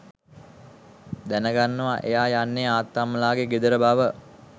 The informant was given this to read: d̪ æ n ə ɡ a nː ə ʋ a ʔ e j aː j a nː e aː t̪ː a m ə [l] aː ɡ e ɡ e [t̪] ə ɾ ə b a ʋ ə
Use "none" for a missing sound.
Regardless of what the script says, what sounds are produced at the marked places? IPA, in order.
l, d̪

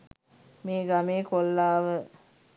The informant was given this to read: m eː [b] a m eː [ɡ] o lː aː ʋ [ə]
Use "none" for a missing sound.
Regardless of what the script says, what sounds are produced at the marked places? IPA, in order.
ɡ, k, ə

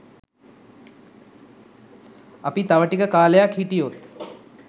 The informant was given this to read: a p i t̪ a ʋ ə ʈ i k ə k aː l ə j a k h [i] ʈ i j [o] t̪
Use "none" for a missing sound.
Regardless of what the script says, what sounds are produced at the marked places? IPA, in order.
i, o

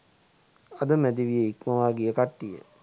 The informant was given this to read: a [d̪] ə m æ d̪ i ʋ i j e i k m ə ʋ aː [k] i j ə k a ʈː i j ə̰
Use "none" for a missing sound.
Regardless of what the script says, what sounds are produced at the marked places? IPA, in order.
d̪, ɡ

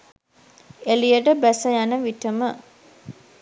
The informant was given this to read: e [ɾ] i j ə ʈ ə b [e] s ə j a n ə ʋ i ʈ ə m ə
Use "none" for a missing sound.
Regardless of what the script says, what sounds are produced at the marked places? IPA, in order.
l, æ

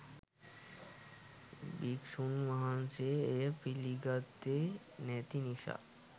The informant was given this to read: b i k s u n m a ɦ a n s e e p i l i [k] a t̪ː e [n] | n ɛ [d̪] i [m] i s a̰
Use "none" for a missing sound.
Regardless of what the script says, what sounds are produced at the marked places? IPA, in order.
ɡ, none, t̪, n

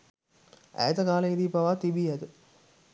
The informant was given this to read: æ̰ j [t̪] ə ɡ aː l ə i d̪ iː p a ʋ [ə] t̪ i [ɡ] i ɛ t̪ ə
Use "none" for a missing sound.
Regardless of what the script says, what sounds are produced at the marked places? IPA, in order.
t̪, a, b

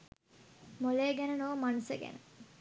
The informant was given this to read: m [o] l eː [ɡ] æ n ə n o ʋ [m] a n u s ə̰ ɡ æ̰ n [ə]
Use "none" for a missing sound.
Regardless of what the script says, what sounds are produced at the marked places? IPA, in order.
o, ɡ, m, ə

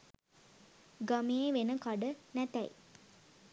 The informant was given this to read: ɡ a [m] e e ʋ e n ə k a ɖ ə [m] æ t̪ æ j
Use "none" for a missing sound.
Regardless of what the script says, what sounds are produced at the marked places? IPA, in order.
m, n

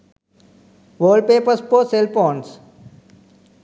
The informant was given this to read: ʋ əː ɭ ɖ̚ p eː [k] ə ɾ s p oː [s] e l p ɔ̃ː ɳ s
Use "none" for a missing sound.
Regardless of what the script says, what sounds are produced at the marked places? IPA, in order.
p, s

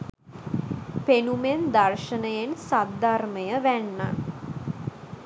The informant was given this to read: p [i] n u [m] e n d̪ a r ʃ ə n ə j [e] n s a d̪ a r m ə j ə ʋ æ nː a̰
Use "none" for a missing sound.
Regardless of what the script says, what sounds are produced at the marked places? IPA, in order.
e, m, e

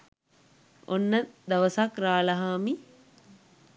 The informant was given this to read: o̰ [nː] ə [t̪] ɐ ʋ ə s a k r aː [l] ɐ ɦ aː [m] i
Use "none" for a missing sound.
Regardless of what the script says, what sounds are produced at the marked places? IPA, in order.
nː, d̪, l, m

